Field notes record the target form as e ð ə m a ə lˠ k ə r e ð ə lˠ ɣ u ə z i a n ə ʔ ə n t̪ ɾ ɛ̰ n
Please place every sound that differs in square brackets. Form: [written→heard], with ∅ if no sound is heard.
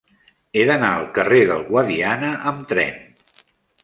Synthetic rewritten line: e ð ə [m→n] a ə lˠ k ə r e ð ə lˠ ɣ [u→w] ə [z→ð] i a n ə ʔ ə [n→m] t̪ ɾ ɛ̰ n